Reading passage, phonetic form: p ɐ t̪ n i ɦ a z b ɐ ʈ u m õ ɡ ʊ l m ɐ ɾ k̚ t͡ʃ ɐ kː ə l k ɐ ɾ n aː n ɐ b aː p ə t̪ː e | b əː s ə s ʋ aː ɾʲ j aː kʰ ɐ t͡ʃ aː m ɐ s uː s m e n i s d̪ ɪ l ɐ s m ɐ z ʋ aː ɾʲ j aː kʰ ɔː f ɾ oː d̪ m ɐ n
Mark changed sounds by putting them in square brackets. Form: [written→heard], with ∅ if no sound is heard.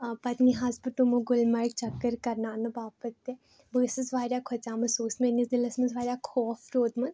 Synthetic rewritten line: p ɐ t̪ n i ɦ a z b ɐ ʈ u m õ ɡ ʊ l m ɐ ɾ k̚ t͡ʃ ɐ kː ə [l→ɾ] k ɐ ɾ n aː n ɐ b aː p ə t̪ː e | b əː s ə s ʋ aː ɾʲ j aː kʰ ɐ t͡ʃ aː m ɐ s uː s m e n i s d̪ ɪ l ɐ s m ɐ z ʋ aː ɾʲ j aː kʰ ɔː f ɾ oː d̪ m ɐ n